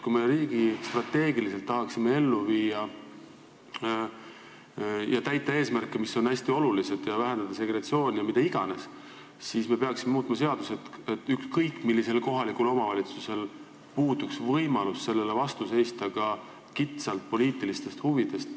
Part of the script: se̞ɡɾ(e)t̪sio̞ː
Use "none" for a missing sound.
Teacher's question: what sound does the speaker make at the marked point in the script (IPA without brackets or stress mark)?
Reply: e